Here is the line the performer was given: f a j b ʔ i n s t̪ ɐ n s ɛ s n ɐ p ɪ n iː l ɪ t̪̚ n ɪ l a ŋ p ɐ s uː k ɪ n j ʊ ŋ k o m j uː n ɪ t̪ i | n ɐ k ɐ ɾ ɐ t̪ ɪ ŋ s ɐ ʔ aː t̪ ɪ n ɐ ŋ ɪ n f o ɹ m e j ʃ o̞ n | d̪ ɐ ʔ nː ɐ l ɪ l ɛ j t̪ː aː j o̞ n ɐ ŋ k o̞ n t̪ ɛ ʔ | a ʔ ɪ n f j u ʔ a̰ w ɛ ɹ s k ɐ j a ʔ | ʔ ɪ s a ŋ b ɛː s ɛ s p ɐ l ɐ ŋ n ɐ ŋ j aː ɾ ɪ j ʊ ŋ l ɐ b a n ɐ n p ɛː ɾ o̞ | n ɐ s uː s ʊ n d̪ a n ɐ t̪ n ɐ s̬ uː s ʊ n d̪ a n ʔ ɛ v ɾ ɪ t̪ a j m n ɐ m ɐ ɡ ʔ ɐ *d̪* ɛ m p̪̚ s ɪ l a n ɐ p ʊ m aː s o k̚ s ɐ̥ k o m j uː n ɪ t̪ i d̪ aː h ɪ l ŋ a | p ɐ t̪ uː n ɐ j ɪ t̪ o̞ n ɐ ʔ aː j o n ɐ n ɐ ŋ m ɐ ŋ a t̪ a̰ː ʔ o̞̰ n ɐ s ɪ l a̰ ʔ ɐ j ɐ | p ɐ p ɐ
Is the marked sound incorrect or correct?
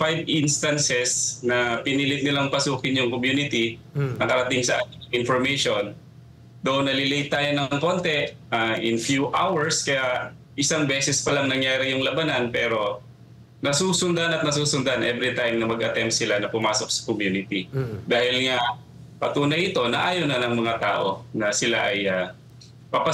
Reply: incorrect: t̪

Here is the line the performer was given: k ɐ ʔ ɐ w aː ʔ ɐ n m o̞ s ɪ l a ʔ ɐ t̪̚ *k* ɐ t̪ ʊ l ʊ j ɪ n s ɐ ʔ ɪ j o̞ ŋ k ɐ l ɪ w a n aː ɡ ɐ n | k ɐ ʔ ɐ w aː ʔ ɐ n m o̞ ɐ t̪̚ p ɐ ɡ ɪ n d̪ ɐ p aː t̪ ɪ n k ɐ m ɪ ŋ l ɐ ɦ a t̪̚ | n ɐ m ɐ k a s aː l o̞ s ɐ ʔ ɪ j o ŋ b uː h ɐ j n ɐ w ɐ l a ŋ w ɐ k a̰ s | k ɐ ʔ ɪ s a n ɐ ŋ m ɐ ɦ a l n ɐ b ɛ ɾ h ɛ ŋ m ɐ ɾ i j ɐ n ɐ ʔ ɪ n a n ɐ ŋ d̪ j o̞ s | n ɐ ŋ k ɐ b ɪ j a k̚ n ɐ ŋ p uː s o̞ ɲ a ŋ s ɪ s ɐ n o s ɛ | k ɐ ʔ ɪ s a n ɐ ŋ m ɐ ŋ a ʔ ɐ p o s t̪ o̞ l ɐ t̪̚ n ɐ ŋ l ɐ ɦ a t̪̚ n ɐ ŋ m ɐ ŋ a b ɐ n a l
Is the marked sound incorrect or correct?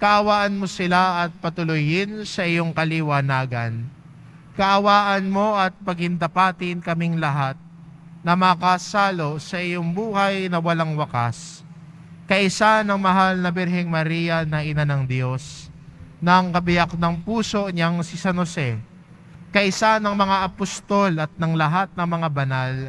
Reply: incorrect: p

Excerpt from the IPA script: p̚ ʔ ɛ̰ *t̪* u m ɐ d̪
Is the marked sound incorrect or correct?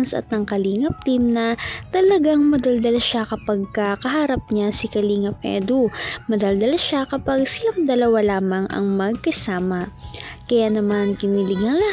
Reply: incorrect: d̪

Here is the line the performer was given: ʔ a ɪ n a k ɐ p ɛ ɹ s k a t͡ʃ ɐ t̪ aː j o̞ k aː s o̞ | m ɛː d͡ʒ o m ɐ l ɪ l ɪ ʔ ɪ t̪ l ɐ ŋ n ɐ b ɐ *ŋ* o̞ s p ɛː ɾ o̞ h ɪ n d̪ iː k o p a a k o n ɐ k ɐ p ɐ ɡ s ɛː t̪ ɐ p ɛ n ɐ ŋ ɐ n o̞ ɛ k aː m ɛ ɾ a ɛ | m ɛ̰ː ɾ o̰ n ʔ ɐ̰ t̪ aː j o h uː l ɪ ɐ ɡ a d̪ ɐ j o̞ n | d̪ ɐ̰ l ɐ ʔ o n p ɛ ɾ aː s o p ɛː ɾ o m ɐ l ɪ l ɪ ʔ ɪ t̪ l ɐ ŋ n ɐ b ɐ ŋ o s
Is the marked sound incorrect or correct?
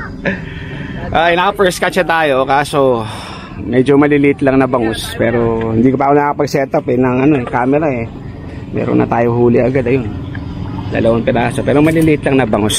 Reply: correct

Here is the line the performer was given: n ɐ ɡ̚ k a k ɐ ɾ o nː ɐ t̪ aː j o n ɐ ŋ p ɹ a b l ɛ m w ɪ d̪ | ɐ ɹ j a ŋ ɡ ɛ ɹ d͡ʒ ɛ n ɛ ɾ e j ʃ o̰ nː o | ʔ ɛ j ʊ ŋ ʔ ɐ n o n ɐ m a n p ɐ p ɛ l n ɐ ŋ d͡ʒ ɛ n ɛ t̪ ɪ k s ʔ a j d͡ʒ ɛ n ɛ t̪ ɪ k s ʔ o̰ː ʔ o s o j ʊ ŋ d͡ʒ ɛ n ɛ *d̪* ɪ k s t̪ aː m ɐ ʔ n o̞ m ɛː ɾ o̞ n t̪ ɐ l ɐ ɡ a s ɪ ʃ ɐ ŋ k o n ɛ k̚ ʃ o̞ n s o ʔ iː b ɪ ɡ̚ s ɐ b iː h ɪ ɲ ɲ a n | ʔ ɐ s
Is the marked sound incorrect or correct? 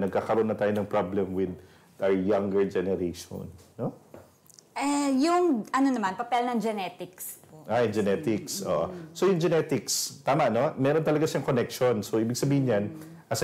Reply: incorrect: t̪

